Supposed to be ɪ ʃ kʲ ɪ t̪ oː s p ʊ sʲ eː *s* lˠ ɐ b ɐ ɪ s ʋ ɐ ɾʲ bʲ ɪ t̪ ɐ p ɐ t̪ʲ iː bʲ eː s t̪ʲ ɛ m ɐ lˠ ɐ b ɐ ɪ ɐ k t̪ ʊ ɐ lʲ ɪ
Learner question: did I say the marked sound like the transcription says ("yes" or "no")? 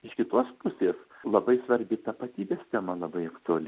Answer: yes